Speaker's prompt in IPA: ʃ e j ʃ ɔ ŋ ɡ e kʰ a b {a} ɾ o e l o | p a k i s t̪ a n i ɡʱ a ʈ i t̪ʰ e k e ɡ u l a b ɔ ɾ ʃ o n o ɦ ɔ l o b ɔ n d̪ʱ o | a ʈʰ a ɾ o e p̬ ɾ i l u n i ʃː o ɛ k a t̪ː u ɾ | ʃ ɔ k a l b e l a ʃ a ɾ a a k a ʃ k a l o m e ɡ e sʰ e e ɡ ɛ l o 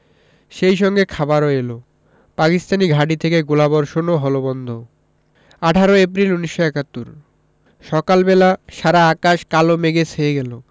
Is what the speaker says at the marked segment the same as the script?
yes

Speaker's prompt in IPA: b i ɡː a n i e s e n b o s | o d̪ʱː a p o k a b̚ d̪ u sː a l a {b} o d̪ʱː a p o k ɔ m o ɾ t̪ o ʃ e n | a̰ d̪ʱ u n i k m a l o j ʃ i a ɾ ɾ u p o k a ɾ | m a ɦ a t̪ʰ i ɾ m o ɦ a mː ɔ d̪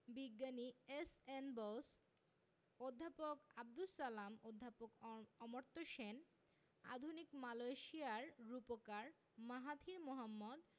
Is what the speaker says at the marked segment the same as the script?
no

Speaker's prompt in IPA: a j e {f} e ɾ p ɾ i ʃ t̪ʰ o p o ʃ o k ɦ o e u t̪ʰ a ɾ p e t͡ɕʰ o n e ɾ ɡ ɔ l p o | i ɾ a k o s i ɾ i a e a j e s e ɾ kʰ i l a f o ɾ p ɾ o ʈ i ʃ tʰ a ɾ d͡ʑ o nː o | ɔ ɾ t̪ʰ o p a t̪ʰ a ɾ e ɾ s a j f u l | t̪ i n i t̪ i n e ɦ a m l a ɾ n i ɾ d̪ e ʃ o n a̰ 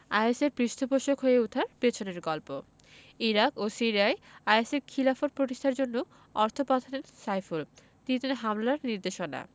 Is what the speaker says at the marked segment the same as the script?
no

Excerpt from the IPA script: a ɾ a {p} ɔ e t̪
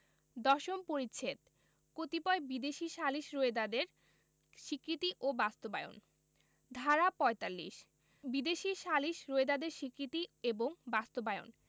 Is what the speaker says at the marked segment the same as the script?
yes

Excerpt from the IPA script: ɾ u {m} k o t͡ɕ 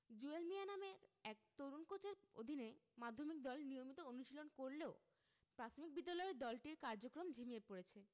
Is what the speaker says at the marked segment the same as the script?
no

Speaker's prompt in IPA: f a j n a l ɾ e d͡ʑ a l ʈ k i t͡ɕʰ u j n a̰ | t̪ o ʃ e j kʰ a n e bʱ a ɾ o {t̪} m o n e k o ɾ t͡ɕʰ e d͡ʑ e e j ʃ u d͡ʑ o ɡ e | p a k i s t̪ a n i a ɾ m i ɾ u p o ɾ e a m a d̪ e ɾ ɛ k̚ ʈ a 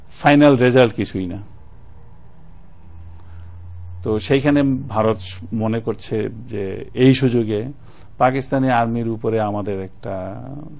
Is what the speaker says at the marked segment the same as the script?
yes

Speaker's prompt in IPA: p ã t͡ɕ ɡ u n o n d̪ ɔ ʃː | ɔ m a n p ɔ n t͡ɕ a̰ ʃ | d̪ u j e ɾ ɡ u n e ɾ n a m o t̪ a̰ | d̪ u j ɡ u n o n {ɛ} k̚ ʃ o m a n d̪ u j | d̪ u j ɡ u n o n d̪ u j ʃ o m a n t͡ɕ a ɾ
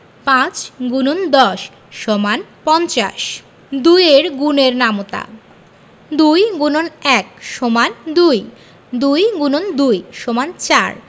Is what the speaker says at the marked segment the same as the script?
yes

